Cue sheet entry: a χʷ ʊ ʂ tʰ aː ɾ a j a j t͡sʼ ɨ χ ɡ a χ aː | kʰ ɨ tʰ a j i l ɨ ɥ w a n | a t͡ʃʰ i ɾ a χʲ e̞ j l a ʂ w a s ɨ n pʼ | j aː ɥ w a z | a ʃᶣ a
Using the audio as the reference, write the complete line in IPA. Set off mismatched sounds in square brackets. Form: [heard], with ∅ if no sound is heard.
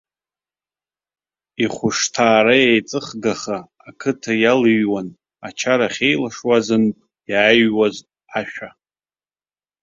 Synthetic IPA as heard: [i] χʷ ʊ ʂ tʰ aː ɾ a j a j t͡sʼ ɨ χ ɡ a χ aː | kʰ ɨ tʰ a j [a] l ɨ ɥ w a n | a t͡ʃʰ [a] ɾ a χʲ e̞ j l a ʂ w a [z] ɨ n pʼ | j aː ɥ w a z | a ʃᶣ a